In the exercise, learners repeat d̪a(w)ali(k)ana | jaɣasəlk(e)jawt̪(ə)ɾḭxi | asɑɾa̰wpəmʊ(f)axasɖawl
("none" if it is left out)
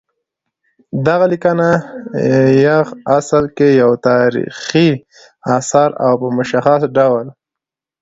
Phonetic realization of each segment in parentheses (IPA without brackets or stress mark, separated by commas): ɣ, k, e, ɑ, ʃ